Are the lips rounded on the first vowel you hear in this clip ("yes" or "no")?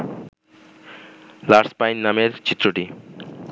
no